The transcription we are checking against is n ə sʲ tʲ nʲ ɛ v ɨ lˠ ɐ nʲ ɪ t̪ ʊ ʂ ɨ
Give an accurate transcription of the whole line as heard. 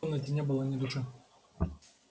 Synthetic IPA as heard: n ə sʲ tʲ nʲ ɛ b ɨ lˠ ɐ nʲ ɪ d̪ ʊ ʂ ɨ